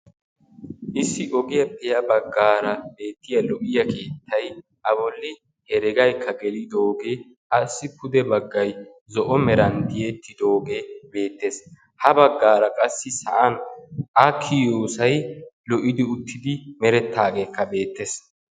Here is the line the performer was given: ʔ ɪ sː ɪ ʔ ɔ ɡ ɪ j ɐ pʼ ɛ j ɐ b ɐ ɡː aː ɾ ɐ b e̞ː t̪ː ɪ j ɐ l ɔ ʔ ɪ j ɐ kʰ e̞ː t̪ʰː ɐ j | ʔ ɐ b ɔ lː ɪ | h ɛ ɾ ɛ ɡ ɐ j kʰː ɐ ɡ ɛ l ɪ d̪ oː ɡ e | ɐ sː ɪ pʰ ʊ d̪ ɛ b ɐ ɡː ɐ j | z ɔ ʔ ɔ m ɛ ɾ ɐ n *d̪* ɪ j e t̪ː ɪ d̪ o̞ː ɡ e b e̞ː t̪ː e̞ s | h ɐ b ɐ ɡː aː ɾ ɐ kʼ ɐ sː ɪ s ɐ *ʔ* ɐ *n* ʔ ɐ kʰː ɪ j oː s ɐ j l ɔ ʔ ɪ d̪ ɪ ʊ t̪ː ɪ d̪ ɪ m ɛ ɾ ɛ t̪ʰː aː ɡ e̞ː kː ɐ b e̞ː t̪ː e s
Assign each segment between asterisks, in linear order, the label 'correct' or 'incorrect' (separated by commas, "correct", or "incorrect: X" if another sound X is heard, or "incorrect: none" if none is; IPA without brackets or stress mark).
correct, correct, correct